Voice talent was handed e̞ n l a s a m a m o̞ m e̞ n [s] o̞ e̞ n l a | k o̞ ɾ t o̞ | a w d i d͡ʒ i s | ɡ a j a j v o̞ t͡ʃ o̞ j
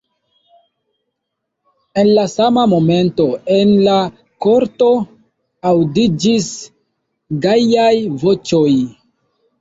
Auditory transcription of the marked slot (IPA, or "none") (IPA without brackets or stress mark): t